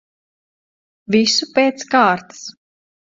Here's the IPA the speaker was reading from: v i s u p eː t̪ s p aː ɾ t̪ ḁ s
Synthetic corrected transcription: v i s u p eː t̪ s k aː ɾ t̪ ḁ s